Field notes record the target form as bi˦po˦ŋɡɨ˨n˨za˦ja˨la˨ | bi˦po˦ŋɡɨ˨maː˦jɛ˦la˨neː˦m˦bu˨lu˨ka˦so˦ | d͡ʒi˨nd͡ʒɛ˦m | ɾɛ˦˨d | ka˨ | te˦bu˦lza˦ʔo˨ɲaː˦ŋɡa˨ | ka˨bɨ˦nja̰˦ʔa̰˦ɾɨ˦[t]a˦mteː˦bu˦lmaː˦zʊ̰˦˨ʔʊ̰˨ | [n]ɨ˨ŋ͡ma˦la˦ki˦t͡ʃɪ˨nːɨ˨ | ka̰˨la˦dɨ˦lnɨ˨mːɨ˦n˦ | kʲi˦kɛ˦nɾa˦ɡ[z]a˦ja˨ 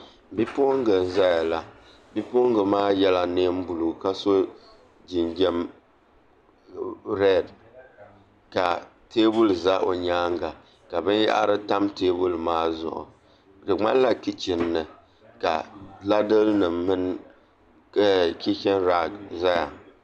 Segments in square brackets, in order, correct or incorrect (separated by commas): correct, incorrect, correct